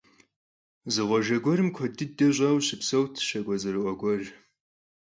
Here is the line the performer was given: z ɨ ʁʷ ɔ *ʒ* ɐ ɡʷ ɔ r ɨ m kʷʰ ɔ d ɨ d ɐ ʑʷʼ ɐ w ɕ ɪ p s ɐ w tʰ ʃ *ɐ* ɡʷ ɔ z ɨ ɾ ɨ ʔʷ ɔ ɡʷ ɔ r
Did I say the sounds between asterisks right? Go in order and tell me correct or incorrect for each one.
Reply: correct, correct

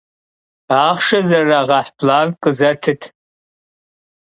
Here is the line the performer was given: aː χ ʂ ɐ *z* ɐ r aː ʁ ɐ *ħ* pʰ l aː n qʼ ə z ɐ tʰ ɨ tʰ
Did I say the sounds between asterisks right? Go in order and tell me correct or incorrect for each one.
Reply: correct, correct

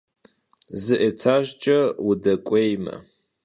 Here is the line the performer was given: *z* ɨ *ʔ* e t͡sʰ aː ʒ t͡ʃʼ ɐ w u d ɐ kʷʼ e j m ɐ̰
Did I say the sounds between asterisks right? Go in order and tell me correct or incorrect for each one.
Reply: correct, correct

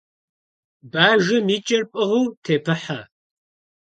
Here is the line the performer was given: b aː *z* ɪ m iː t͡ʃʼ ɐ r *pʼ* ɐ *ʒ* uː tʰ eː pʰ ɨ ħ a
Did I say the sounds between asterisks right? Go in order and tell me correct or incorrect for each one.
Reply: incorrect, correct, incorrect

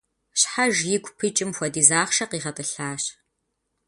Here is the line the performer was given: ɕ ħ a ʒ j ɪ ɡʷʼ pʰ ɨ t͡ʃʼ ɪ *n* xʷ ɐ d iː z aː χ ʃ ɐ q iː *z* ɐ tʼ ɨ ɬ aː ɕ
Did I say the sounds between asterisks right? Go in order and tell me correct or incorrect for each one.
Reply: incorrect, incorrect

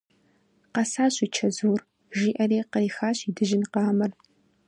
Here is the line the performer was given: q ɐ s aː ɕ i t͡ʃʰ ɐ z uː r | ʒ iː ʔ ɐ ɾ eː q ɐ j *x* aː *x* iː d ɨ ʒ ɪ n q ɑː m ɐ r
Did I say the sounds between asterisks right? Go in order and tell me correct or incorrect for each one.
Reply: correct, incorrect

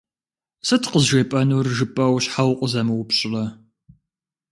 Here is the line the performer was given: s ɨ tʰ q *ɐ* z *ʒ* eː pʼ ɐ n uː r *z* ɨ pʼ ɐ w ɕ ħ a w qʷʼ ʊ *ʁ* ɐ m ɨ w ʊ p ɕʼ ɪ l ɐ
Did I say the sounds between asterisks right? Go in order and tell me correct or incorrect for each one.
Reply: incorrect, correct, incorrect, incorrect

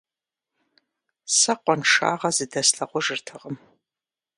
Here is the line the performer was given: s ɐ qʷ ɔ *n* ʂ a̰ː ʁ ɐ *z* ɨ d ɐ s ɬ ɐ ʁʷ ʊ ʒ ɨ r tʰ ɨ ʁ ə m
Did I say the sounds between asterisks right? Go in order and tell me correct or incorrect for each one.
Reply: correct, correct

